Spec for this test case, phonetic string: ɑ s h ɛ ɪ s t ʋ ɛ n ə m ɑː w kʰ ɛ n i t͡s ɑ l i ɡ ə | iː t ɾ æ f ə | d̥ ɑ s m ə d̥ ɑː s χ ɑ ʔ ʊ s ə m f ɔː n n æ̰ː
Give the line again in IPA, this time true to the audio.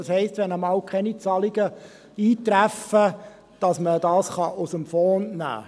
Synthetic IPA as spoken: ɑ s h ɛ ɪ s t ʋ ɛ n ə m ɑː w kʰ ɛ n i t͡s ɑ l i ɡ ə | iː t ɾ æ f ə | d̥ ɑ s m ə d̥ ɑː s χ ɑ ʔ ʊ s ə m f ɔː n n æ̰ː